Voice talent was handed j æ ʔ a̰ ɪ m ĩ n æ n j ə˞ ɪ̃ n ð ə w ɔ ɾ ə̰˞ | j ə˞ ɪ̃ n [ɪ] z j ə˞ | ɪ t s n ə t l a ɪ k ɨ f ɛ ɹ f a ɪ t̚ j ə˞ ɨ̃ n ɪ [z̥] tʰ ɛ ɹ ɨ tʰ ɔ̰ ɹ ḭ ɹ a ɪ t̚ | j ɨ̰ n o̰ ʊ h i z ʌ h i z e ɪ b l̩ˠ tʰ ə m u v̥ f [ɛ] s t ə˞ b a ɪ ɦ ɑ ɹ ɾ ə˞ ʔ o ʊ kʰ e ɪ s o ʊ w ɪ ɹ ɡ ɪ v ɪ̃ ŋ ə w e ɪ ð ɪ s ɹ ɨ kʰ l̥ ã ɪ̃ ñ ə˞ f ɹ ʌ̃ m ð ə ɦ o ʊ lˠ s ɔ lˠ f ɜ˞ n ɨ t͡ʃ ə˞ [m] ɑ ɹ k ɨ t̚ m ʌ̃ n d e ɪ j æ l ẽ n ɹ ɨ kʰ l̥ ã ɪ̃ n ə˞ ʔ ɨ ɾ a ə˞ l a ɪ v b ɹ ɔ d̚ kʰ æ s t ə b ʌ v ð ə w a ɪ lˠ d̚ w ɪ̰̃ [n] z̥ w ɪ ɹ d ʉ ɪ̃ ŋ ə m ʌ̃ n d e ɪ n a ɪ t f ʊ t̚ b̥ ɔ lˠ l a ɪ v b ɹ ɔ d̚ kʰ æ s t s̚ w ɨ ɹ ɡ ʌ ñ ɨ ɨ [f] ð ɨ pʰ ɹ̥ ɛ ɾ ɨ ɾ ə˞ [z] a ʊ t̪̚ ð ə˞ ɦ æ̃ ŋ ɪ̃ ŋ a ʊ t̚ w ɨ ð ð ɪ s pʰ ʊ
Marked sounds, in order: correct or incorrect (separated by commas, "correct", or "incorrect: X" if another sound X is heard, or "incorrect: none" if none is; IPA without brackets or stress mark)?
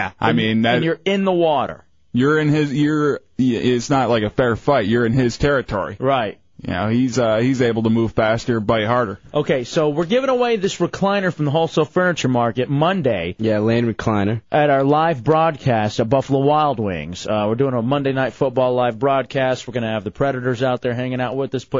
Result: correct, correct, incorrect: æ, correct, incorrect: ŋ, incorrect: v, correct